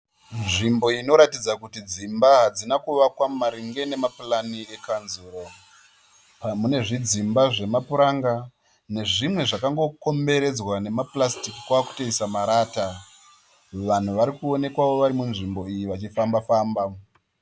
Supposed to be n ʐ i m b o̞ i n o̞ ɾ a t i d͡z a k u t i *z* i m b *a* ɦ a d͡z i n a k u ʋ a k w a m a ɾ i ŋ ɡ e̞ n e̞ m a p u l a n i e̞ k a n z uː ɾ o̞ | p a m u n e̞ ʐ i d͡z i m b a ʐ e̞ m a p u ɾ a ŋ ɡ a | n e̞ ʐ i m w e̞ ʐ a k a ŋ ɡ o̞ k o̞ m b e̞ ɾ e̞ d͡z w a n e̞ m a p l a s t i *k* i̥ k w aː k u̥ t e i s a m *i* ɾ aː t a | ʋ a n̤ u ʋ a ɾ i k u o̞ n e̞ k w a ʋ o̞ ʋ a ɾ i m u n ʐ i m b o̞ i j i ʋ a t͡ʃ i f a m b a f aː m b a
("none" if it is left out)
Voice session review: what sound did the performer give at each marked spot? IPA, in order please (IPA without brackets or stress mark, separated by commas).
d͡z, a, k, a